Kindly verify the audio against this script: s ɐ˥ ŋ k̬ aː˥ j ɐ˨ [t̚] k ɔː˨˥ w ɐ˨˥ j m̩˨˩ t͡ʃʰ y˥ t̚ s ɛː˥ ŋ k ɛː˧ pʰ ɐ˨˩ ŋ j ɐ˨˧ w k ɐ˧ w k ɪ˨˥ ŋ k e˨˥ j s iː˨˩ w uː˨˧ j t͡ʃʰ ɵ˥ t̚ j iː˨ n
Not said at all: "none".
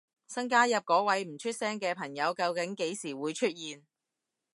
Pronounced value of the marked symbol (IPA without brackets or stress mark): p̚